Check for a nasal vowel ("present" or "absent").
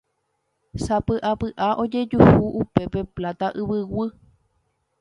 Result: absent